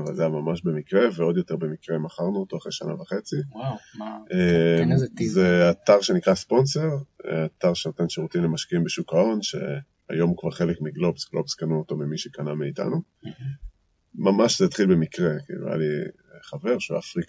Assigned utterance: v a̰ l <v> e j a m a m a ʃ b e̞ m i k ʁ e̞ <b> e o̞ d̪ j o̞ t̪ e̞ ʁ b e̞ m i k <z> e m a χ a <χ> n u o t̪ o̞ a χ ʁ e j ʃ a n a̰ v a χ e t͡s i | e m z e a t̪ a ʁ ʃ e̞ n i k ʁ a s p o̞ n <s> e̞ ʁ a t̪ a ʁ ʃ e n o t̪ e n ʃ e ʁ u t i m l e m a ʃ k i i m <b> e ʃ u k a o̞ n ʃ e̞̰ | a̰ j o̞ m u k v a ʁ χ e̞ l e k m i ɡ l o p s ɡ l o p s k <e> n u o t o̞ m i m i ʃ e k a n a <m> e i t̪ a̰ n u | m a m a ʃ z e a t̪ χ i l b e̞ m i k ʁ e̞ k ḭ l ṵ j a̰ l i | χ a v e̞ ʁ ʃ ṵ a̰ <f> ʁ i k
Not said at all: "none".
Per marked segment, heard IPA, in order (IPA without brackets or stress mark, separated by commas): z, v, ʁ, ʁ, s, b, a, m, f